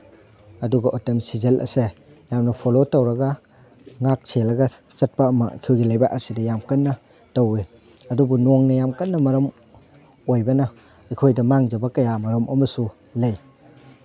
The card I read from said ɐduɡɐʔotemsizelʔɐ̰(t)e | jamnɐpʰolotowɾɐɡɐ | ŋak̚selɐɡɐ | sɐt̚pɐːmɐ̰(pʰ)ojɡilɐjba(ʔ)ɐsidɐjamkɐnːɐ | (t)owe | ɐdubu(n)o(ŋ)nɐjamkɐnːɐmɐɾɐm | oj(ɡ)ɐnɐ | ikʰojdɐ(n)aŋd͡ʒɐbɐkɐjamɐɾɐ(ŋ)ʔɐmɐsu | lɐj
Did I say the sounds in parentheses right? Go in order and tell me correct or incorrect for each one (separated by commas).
incorrect, incorrect, correct, correct, correct, correct, incorrect, incorrect, incorrect